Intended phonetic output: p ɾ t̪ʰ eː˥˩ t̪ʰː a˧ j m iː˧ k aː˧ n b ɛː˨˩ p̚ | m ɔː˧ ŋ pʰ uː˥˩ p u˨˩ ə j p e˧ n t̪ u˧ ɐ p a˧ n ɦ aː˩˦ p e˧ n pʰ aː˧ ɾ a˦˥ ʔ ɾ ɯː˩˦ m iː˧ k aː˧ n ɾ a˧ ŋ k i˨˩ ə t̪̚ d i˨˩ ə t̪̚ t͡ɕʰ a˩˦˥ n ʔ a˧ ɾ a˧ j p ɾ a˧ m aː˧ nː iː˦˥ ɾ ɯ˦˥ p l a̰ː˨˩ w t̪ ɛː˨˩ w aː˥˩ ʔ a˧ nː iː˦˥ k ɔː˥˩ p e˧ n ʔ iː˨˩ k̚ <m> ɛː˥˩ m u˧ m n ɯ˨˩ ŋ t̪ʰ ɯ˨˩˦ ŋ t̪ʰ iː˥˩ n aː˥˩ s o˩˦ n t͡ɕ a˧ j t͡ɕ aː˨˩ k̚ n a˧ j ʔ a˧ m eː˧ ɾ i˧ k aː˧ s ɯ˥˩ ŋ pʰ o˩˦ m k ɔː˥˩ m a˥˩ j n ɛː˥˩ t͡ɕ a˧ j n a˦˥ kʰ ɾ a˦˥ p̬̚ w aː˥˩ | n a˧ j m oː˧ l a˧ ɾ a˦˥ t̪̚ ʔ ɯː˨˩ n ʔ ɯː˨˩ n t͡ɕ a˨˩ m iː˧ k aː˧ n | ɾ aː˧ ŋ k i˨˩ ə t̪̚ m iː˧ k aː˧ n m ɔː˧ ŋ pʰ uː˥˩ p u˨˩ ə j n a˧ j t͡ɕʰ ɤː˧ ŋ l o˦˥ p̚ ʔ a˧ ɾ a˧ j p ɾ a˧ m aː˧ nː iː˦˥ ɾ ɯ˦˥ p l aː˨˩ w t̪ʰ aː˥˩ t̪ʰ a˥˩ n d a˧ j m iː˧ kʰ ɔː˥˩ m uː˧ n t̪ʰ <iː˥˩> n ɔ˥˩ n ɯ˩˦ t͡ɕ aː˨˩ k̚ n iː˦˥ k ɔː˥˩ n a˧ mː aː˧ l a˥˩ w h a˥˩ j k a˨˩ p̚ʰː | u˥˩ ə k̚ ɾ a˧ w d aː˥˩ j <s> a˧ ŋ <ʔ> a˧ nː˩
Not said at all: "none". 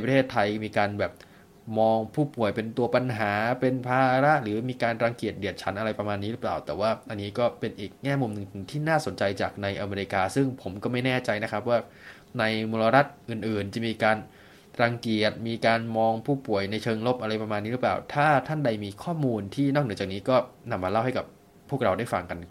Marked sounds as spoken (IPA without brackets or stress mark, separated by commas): ŋ, iː˥˩, f, k